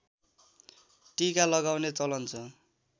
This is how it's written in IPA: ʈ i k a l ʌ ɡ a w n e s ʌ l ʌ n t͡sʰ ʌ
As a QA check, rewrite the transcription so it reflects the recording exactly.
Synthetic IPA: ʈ i k a l ʌ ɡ a w n e t͡s ʌ l ʌ n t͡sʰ ʌ